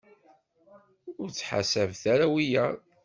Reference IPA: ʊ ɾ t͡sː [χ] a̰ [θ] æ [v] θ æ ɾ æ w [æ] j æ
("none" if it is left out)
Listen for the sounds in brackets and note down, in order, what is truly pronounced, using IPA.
ħ, s, v, i

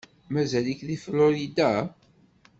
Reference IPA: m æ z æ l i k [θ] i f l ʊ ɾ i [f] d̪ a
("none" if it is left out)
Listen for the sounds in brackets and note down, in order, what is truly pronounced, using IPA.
ð, none

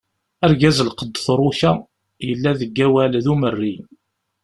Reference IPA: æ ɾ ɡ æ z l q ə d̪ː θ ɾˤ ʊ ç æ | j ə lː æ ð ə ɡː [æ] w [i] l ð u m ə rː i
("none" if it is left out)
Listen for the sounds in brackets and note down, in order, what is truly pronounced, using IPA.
æ, æ

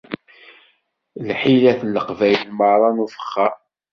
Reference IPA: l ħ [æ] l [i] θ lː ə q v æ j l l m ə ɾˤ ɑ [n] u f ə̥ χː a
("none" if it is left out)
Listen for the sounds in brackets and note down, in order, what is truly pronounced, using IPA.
i, æ, n

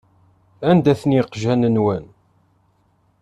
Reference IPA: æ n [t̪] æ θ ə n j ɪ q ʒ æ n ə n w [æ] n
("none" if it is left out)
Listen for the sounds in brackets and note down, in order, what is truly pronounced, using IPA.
d̪, æ

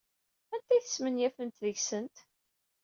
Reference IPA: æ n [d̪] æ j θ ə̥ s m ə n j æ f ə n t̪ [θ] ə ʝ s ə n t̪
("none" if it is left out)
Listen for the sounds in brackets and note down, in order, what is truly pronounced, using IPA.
t̪, ð

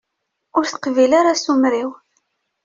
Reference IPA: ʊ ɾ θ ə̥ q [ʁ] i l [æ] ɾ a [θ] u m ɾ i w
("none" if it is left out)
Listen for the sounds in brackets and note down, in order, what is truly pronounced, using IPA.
v, a, s

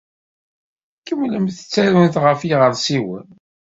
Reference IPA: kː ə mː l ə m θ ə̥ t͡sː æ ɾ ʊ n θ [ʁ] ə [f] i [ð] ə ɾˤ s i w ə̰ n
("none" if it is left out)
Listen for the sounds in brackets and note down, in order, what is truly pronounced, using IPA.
ʁ, f, ʁ

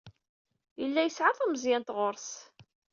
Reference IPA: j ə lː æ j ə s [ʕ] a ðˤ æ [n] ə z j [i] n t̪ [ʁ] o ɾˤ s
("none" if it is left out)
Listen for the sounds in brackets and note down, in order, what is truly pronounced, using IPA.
ʕ, m, æ, ʁ

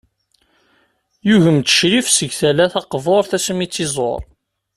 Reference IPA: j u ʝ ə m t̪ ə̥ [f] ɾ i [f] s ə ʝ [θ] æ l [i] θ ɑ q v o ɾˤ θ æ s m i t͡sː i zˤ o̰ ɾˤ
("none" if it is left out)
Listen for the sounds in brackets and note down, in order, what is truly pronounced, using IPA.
ʃ, f, θ, æ

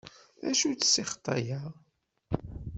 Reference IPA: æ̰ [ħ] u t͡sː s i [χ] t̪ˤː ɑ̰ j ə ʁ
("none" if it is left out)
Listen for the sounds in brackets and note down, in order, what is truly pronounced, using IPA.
ʃ, χ

